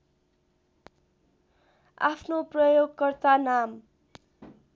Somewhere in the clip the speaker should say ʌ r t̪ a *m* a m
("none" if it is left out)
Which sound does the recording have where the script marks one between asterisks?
n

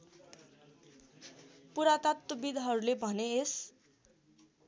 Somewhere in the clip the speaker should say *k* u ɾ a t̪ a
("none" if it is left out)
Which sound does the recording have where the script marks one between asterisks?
p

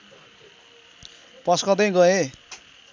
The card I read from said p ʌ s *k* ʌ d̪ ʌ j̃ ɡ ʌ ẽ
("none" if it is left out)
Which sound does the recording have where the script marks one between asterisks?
k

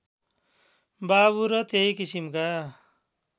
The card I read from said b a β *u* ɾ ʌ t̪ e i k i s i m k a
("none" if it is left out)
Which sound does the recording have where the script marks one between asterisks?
u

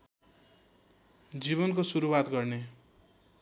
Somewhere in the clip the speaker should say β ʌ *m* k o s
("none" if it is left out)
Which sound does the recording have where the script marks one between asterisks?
n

